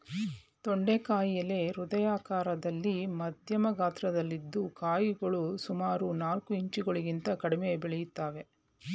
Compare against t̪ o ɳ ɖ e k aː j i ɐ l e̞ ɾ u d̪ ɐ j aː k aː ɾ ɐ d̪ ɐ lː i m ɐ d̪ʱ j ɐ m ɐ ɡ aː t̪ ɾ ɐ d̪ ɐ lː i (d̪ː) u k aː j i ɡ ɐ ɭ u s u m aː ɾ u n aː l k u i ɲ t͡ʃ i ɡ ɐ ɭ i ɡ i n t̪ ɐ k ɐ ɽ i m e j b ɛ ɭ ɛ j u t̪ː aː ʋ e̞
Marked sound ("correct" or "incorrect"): correct